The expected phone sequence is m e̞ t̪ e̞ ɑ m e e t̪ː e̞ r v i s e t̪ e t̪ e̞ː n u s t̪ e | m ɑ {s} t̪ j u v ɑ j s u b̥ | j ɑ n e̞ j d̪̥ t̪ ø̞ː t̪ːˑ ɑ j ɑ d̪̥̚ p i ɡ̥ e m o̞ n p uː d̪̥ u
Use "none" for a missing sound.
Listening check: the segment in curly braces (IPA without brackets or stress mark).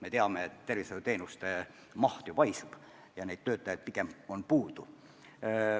h